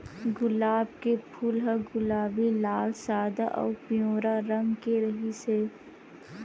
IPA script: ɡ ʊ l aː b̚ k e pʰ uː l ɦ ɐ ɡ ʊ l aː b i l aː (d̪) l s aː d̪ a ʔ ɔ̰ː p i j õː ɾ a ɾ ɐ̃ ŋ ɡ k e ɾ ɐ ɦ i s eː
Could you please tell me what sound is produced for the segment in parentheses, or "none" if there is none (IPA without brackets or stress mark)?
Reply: none